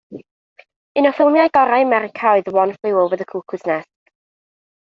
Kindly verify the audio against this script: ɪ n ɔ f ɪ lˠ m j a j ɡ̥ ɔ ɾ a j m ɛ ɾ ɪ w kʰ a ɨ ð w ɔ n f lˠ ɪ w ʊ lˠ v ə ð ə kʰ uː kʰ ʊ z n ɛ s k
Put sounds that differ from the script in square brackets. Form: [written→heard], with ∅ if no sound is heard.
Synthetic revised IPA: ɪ n ɔ f ɪ lˠ m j a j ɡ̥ ɔ ɾ a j m ɛ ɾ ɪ [w→∅] kʰ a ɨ ð w ɔ n f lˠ ɪ w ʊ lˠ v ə ð ə kʰ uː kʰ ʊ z n ɛ s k